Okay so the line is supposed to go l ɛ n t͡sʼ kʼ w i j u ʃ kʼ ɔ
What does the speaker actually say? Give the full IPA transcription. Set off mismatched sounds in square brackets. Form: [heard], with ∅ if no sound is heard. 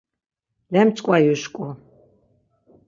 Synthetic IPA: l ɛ [m] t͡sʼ kʼ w [a] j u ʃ kʼ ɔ

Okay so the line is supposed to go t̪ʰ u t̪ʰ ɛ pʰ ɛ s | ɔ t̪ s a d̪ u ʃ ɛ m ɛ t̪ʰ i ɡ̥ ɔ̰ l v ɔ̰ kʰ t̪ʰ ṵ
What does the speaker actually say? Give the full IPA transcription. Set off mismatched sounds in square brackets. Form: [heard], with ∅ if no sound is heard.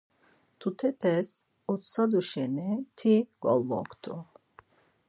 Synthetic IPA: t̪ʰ u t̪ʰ ɛ pʰ ɛ s | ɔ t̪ s a d̪ u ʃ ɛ [n] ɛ t̪ʰ i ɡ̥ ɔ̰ l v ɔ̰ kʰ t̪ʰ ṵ

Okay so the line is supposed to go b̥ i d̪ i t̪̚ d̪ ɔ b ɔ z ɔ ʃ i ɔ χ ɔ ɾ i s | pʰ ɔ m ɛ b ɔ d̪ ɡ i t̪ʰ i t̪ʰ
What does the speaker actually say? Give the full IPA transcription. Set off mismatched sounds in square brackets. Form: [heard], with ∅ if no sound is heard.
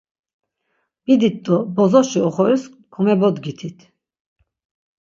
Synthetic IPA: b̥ i d̪ i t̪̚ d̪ ɔ b ɔ z ɔ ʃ i ɔ χ ɔ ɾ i s | [kʰ] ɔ m ɛ b ɔ d̪ ɡ i t̪ʰ i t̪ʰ

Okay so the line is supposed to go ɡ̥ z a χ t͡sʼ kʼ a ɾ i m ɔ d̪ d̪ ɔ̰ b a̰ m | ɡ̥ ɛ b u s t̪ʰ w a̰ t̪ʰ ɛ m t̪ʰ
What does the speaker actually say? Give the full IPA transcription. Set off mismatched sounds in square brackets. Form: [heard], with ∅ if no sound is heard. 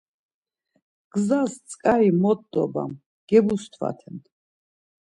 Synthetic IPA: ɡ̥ z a [s] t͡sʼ kʼ a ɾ i m ɔ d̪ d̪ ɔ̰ b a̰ m | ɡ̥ ɛ b u s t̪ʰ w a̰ t̪ʰ ɛ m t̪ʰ

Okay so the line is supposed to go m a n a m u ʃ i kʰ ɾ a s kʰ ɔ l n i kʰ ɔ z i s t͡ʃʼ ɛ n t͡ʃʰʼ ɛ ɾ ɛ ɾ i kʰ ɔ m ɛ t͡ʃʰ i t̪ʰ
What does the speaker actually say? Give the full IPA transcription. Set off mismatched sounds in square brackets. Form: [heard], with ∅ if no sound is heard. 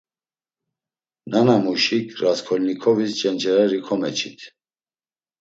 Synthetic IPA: [n] a n a m u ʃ i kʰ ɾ a s kʰ ɔ l n i kʰ ɔ [v] i s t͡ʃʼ ɛ n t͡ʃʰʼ ɛ ɾ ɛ ɾ i kʰ ɔ m ɛ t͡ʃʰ i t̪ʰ

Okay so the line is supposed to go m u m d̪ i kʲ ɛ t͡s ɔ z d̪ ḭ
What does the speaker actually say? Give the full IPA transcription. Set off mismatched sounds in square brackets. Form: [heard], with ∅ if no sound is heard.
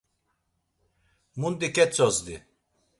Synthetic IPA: m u [n] d̪ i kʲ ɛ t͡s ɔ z d̪ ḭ

